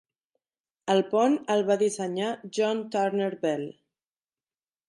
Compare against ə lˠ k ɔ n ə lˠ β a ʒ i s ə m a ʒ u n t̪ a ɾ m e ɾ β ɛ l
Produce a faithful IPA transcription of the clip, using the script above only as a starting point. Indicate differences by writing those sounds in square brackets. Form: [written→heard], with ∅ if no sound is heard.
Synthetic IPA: ə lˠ [k→p] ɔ n ə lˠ β a [ʒ→ð] i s ə [m→ɲ] a ʒ [u→ɔ] n t̪ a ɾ [m→n] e ɾ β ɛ l